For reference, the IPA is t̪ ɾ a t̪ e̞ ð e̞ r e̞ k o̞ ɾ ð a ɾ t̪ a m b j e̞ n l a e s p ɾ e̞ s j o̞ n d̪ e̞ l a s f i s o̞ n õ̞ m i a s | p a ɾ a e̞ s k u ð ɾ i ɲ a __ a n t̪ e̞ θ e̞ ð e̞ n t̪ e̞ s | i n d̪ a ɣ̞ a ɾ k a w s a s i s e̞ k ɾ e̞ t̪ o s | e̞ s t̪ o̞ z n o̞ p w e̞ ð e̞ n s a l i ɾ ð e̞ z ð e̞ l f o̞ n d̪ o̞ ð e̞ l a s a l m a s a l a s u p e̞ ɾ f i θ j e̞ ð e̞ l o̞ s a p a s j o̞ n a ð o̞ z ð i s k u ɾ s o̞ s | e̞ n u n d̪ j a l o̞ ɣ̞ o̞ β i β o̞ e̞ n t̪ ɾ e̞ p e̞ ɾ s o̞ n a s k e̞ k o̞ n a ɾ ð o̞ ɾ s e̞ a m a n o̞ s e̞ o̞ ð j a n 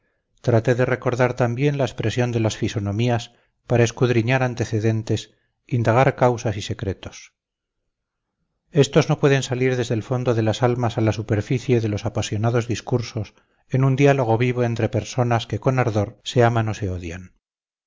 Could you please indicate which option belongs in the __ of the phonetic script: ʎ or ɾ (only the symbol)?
ɾ